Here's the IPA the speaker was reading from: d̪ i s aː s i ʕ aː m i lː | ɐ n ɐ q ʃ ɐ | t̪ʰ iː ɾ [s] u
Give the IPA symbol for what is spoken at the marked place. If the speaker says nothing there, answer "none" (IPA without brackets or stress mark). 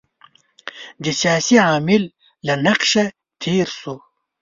s